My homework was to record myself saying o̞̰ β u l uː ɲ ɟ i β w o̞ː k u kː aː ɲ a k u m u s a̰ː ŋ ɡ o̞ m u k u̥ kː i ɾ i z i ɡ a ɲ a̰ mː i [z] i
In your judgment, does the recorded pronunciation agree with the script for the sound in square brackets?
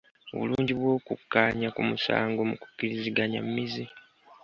yes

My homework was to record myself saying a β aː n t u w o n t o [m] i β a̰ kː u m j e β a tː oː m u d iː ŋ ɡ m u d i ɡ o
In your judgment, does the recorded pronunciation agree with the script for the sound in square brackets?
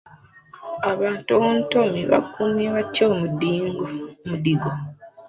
yes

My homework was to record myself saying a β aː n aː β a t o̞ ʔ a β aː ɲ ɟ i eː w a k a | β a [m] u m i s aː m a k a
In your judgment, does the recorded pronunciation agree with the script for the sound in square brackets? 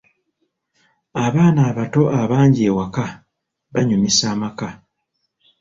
no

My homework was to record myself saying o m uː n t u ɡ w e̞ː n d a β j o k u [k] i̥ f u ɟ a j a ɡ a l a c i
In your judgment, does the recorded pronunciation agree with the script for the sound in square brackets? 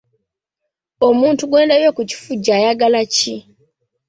no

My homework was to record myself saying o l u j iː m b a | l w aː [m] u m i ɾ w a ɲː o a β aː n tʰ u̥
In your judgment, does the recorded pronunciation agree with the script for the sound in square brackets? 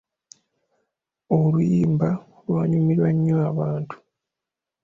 no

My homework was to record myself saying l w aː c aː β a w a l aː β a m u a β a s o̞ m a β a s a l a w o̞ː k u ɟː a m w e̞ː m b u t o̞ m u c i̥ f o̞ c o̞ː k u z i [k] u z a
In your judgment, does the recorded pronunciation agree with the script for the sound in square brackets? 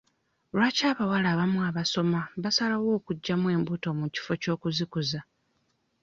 yes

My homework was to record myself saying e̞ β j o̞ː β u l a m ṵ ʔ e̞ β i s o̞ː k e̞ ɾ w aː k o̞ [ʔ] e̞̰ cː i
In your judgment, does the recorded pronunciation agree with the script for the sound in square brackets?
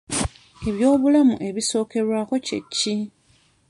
no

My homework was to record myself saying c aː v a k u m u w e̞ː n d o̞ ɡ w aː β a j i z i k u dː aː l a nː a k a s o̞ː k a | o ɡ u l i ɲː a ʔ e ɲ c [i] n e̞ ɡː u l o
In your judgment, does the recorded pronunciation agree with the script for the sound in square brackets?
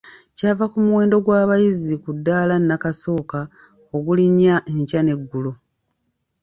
no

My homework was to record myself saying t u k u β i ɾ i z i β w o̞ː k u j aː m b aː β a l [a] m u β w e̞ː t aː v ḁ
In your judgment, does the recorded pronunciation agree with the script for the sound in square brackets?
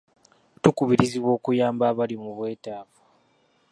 no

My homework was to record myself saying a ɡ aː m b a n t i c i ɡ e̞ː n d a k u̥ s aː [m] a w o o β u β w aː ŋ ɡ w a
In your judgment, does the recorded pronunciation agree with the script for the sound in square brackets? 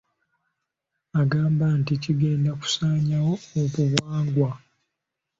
no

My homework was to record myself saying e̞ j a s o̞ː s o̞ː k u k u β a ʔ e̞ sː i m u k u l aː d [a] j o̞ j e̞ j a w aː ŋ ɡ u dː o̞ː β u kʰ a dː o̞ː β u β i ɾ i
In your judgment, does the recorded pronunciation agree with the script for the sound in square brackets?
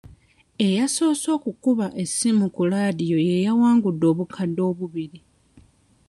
no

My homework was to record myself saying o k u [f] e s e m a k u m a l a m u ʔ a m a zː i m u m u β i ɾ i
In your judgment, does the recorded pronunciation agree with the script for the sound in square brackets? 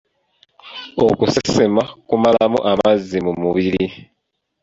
no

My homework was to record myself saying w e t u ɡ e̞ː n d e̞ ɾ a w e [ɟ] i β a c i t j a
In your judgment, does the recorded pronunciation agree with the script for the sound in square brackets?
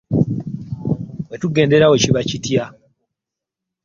no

